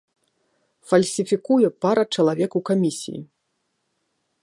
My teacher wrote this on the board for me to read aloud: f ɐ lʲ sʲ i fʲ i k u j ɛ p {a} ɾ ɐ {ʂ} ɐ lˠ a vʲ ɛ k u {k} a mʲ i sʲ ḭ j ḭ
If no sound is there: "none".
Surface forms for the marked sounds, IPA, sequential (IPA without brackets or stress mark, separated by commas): a, t͡ʂ, k